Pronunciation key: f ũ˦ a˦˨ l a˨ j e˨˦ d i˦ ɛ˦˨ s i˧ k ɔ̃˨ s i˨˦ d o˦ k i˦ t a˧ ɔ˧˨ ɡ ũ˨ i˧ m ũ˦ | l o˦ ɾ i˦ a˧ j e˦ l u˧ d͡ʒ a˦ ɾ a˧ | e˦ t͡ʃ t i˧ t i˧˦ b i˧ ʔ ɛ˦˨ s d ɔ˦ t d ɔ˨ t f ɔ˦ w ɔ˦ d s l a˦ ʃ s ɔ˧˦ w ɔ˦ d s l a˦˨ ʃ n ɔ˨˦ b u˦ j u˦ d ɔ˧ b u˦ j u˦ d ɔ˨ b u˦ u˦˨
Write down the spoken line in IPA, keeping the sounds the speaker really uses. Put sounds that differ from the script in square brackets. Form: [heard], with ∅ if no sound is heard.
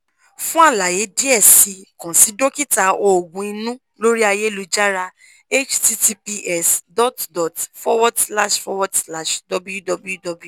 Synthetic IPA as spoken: f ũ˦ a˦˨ l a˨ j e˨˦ d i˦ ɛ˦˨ s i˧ k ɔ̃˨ s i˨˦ d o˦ k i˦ t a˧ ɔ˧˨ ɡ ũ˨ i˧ [n] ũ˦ | l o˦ ɾ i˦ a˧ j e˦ l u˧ d͡ʒ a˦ ɾ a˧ | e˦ t͡ʃ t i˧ t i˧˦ [p] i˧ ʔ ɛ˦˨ s d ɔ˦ t d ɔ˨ t f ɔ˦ w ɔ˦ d s l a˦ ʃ [f] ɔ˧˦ w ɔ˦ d s l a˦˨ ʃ [d] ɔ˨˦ b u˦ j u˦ d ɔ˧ b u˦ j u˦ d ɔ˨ b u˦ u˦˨